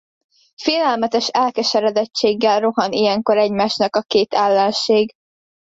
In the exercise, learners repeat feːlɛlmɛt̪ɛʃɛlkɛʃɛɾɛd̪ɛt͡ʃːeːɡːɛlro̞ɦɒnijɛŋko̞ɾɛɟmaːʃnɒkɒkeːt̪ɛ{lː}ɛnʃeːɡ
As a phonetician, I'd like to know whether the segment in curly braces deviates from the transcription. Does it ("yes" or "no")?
no